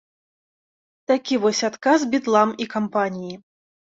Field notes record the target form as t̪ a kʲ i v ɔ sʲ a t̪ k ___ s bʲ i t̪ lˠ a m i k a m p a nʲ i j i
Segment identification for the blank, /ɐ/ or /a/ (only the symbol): a